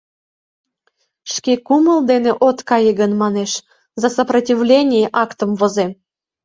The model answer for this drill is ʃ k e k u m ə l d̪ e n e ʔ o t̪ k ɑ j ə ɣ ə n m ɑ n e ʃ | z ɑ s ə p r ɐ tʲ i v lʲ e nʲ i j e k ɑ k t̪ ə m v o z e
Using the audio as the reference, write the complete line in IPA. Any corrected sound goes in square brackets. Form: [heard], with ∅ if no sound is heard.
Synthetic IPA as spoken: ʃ k e k u m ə l d̪ e n e ʔ o t̪ k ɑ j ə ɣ ə n m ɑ n e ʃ | z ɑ s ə p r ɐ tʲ i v lʲ e nʲ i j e [ʔ] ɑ k t̪ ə m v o z e